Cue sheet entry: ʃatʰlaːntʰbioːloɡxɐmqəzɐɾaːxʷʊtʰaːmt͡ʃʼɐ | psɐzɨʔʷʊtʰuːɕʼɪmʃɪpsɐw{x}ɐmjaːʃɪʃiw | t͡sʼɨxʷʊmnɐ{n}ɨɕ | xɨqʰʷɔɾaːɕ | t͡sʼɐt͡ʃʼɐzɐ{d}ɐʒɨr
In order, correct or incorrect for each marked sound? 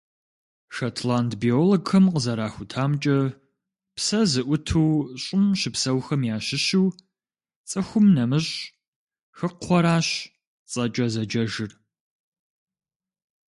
correct, incorrect, incorrect

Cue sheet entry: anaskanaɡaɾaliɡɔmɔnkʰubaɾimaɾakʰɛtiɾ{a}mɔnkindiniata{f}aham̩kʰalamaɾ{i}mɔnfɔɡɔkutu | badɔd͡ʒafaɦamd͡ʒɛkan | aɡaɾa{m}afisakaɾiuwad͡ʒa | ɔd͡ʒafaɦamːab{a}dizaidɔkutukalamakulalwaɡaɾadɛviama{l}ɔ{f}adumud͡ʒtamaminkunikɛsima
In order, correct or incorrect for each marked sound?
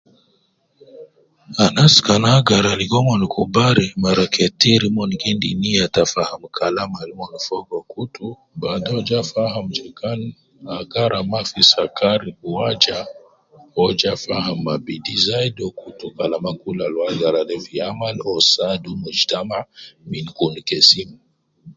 incorrect, correct, correct, correct, incorrect, correct, incorrect

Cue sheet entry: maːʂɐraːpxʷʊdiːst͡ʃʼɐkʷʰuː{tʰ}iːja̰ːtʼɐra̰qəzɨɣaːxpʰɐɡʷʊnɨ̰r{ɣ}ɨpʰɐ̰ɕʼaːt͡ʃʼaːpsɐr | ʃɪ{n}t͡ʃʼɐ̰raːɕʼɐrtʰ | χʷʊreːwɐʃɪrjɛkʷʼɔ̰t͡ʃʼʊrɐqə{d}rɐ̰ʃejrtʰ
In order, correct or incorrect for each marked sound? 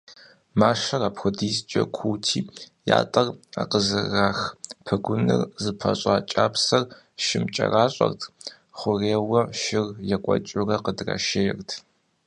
correct, incorrect, incorrect, correct

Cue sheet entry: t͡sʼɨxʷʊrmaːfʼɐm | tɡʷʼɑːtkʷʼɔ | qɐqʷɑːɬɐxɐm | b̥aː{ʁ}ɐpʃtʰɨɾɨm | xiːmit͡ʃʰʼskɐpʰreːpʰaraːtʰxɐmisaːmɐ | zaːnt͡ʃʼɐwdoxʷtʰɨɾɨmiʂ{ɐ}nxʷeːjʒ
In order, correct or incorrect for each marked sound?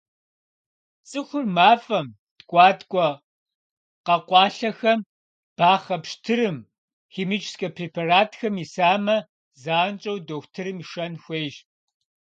incorrect, correct

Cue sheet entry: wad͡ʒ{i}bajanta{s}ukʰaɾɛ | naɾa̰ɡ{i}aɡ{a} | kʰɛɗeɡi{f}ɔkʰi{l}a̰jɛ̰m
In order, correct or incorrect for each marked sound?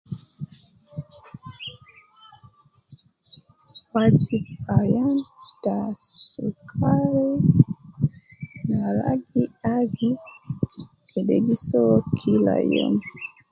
correct, correct, correct, incorrect, incorrect, correct

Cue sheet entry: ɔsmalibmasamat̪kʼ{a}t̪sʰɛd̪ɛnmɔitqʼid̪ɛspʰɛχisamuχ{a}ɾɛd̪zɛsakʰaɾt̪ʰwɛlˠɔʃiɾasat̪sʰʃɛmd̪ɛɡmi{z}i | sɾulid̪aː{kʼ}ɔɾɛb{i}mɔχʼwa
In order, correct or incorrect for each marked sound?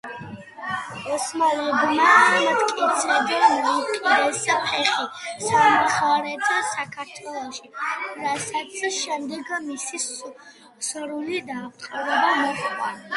incorrect, correct, incorrect, incorrect, incorrect

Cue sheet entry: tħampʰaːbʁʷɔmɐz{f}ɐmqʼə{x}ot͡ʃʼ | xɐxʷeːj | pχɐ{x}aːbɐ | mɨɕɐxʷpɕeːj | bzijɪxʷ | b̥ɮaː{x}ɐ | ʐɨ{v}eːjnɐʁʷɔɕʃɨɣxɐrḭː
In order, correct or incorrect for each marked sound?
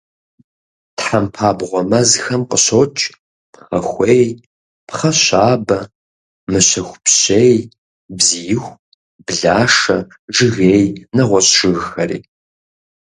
incorrect, incorrect, incorrect, incorrect, incorrect

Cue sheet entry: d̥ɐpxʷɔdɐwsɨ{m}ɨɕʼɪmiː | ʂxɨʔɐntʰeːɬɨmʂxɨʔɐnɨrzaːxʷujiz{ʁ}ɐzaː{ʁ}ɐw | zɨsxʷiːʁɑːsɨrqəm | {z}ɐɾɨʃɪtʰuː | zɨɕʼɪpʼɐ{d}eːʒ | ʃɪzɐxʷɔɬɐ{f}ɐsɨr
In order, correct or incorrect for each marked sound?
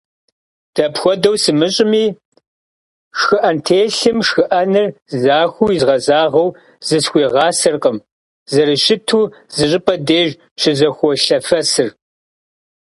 correct, correct, correct, correct, correct, correct

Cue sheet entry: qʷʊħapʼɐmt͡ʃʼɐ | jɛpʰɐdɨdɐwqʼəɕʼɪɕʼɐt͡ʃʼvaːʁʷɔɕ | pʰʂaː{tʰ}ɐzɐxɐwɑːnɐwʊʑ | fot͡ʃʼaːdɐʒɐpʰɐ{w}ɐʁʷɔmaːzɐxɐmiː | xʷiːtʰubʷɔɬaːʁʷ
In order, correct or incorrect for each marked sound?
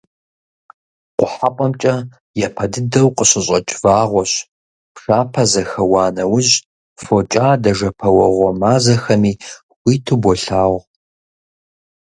incorrect, correct

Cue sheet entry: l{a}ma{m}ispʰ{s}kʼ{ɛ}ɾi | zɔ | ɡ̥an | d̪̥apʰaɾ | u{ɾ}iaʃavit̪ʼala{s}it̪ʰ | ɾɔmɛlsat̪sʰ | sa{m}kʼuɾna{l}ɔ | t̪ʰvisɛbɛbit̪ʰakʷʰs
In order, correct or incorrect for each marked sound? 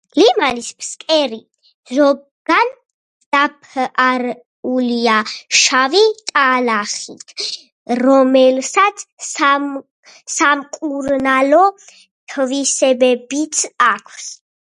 incorrect, incorrect, correct, correct, incorrect, incorrect, correct, correct

